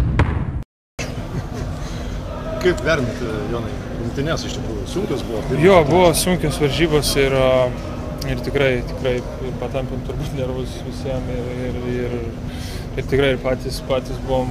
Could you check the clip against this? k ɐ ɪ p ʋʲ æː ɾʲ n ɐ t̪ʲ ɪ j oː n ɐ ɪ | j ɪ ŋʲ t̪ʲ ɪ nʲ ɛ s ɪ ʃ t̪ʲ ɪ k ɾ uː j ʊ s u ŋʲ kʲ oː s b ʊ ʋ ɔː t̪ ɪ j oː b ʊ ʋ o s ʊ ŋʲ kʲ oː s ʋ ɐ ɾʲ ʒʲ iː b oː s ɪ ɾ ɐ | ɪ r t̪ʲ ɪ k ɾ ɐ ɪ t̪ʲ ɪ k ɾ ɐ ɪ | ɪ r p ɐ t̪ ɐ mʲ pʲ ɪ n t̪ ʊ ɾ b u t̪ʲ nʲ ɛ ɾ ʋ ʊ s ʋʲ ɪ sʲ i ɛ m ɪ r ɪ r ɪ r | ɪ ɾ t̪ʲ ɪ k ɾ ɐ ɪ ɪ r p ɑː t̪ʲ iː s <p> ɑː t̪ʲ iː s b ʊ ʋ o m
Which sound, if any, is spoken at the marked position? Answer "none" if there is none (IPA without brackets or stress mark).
p